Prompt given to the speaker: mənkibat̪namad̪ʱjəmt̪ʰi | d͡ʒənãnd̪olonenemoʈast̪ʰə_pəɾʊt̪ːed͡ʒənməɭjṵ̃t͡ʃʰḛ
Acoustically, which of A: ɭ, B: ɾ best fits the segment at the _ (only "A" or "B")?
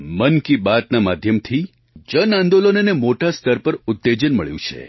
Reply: B